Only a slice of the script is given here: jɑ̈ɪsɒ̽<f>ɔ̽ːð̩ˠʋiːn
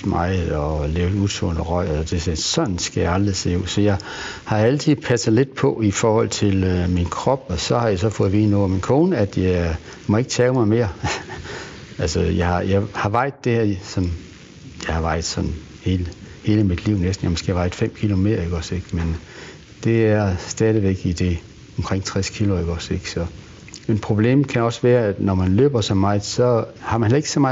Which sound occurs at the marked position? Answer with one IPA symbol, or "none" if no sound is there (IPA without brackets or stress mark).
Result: f